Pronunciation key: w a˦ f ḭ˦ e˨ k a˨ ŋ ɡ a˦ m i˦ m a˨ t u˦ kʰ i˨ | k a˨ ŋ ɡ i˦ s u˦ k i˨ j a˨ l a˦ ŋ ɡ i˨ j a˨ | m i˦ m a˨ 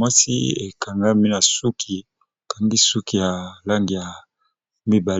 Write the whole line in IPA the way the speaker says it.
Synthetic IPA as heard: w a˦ s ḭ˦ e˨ k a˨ ŋ ɡ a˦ m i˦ n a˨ s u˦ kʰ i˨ | k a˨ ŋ ɡ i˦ s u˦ k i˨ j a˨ l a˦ ŋ ɡ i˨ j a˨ | m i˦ b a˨

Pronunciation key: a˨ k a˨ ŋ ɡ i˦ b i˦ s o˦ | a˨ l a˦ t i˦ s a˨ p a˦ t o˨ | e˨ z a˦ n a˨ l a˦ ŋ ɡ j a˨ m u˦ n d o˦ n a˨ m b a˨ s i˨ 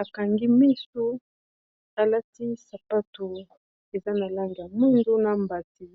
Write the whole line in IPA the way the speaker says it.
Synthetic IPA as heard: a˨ k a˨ ŋ ɡ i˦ m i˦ s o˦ | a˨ l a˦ t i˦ s a˨ p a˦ t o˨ | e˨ z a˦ n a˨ l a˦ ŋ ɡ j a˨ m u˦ n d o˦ n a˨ m b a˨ t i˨

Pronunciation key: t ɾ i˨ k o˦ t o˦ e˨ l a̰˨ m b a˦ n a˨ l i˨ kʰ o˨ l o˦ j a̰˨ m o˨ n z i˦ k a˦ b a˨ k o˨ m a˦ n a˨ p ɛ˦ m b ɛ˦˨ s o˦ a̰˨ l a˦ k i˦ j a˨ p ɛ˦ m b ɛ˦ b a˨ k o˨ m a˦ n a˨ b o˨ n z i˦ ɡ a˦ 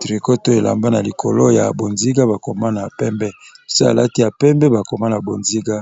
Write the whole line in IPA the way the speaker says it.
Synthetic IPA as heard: t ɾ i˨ k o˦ t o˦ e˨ l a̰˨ m b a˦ n a˨ l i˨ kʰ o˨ l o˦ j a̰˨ b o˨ n z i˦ ɡ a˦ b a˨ k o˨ m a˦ n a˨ p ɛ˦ m b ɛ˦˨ s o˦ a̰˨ l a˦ t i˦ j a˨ p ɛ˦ m b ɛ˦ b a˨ k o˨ m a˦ n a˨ b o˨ n z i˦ ɡ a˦

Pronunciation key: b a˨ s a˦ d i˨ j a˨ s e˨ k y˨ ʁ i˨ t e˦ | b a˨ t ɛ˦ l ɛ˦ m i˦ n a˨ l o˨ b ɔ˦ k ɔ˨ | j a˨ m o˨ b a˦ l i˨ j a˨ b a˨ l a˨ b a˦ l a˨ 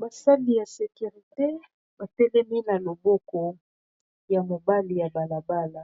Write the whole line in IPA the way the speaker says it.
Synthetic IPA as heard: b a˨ s a˦ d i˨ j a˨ s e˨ k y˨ ʁ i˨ t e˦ | b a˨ t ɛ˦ l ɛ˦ m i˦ n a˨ l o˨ b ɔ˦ k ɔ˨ | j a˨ m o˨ b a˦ l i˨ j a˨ b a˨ l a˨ b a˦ l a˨

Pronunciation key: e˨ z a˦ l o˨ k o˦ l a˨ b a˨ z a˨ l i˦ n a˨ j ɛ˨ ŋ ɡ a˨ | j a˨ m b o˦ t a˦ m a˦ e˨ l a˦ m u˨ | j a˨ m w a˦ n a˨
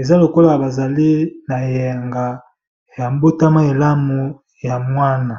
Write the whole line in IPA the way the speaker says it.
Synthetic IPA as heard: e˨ z a˦ l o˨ k o˦ l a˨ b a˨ z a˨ l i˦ n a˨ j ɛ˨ ŋ ɡ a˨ | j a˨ m b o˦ t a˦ m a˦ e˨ l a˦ m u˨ | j a˨ m w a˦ n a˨

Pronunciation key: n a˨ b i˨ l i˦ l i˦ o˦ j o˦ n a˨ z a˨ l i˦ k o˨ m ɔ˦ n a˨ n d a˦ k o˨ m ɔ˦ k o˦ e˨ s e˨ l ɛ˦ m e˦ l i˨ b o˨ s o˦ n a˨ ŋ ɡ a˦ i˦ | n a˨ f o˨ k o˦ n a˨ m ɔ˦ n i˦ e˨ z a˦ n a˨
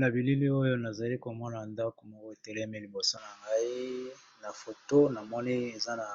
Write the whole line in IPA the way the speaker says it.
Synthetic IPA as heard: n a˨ b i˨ l i˦ l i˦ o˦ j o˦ n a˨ z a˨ l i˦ k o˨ m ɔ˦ n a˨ n d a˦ k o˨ m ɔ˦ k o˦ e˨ t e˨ l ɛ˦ m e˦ l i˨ b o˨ s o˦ n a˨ ŋ ɡ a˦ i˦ | n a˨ f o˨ t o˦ n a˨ m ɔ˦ n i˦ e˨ z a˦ n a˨

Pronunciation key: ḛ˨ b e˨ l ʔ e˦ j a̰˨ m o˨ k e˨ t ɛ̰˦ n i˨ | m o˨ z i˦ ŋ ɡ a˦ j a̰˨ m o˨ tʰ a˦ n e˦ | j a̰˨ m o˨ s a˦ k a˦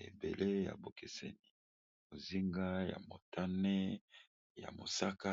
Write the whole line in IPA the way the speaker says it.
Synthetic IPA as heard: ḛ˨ b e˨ l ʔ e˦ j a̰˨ b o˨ k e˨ s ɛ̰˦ n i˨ | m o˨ z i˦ ŋ ɡ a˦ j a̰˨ m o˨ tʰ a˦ n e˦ | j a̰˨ m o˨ s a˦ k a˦

